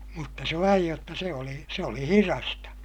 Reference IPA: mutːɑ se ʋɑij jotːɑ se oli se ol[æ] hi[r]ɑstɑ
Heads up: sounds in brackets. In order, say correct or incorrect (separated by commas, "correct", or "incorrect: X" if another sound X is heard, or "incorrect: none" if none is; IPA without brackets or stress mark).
incorrect: i, correct